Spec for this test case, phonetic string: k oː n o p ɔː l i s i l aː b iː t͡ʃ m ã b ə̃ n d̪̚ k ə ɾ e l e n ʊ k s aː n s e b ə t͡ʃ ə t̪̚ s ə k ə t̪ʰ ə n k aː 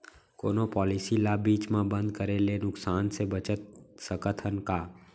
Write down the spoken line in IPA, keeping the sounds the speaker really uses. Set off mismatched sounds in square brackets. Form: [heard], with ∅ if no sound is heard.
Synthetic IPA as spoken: k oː n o p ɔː l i s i l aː b iː t͡ʃ m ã b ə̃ n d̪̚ k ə ɾ e l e n ʊ k s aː n s e b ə t͡ʃ ə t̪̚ s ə k ə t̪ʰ ə n k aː